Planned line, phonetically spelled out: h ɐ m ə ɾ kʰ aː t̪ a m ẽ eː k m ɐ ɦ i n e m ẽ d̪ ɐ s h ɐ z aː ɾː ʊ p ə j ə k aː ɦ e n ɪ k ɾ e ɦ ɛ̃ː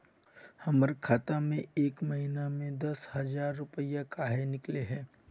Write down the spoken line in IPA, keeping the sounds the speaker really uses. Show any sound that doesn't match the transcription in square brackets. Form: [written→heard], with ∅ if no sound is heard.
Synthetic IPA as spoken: h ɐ m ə ɾ kʰ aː t̪ a m ẽ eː k m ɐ ɦ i n [e→a] m ẽ d̪ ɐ s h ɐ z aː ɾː ʊ p ə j [ə→a] k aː ɦ e n ɪ k [ɾ→l] e ɦ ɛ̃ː